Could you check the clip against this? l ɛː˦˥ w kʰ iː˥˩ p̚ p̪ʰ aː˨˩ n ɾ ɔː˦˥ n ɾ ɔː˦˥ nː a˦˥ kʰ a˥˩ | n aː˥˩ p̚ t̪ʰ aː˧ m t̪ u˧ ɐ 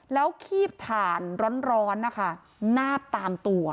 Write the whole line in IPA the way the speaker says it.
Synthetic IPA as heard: l ɛː˦˥ w kʰ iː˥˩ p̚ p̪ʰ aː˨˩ n ɾ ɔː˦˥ n ɾ ɔː˦˥ nː a˦˥ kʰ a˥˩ | n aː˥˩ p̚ t̪ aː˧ m t̪ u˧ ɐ